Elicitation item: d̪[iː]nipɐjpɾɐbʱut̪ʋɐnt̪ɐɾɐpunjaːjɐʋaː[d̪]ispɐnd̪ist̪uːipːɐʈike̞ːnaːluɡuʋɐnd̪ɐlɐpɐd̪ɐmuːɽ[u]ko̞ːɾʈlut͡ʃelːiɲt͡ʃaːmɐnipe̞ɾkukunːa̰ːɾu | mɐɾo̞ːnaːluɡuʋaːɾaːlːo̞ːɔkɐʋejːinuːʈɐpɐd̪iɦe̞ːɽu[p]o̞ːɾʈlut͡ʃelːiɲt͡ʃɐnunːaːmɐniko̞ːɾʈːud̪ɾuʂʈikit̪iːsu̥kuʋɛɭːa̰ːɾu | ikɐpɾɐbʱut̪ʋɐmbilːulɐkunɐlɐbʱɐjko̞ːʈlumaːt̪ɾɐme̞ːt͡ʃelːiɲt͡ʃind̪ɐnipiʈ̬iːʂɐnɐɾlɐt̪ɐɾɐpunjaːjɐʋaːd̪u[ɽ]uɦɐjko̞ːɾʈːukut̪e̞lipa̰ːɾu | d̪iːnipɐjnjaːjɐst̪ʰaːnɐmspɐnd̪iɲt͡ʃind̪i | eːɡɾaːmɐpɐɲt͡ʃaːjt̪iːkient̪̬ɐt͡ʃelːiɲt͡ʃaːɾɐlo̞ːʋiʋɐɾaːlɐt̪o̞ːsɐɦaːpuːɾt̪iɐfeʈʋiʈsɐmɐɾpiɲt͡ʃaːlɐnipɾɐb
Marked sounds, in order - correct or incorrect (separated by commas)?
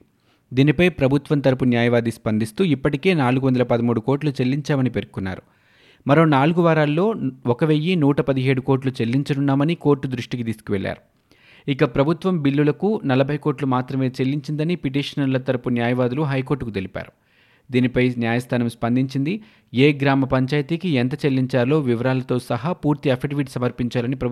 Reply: correct, correct, correct, incorrect, incorrect